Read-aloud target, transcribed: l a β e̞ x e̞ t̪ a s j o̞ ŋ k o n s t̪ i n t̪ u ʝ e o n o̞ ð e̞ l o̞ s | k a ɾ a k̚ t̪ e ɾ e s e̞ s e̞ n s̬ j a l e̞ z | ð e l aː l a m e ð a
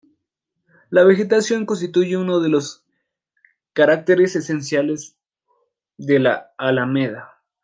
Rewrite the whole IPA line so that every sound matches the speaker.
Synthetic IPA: l a β e̞ x e̞ t̪ a s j o̞ ŋ k o n s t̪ i t̪ u ʝ e u n o̞ ð e̞ l o̞ s | k a ɾ a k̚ t̪ e ɾ e s e̞ s e̞ n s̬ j a l e̞ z | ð e l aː l a m e ð a